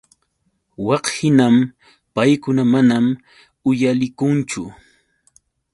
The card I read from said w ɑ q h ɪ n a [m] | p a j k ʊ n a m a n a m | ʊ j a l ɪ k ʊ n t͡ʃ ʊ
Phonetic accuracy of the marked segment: correct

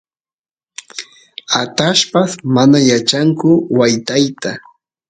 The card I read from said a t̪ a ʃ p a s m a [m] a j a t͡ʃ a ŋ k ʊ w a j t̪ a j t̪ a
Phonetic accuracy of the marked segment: incorrect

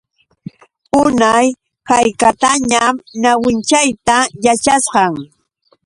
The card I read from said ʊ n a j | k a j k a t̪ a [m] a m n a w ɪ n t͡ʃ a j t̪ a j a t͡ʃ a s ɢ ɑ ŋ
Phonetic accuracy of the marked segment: incorrect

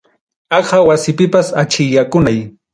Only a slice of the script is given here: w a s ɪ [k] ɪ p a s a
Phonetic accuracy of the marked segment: incorrect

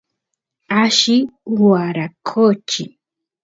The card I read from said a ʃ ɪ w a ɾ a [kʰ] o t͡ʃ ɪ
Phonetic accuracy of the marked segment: correct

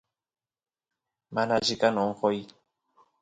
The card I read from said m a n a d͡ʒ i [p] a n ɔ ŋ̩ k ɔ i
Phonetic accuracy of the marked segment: incorrect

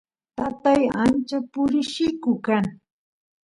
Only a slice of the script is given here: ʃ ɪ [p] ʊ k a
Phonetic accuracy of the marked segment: incorrect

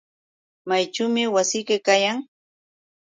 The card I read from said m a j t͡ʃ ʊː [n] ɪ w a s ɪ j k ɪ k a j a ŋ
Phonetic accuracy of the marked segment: incorrect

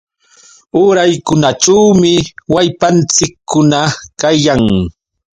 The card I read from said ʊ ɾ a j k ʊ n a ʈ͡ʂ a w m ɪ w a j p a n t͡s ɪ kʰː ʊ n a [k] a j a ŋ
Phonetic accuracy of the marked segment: correct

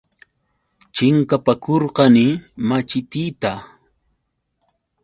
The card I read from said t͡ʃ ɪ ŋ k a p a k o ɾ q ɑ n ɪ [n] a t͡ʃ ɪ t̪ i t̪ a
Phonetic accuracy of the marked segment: incorrect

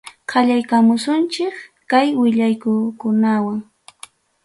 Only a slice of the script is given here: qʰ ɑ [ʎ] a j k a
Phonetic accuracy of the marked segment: correct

